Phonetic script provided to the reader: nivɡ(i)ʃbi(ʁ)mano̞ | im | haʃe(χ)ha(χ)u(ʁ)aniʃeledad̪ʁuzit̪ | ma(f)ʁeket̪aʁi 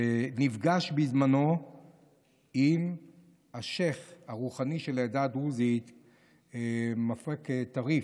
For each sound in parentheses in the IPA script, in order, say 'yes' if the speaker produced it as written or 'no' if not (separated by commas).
no, no, yes, no, no, yes